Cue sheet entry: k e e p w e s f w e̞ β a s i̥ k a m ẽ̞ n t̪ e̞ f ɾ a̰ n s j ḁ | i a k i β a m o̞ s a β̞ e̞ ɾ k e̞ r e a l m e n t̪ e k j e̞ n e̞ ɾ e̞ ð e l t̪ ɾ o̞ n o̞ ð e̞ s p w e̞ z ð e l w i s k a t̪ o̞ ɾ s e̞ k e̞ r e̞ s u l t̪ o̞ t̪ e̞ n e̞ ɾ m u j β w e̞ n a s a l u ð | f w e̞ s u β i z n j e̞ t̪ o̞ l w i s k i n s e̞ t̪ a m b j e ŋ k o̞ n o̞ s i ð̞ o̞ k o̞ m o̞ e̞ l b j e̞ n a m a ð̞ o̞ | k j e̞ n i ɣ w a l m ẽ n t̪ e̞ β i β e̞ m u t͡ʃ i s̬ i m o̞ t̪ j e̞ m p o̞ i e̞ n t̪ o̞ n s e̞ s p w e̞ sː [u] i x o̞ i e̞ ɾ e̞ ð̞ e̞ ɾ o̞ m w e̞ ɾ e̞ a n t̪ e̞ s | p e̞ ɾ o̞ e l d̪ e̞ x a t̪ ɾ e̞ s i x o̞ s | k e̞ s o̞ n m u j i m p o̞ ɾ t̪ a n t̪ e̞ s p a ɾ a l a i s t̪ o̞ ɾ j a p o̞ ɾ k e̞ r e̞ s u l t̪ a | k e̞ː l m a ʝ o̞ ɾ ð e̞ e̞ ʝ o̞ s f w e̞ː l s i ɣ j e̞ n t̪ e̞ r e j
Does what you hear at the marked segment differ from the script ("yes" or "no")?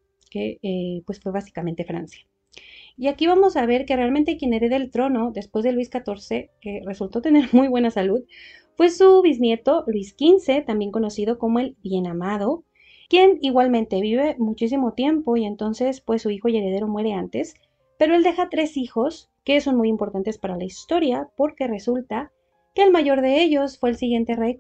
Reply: no